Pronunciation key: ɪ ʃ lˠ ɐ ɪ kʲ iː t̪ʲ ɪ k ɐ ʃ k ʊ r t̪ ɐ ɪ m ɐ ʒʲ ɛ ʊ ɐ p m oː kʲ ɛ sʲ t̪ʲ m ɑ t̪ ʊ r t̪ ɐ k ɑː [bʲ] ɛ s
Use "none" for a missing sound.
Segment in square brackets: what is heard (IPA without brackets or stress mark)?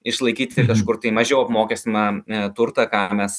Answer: mʲ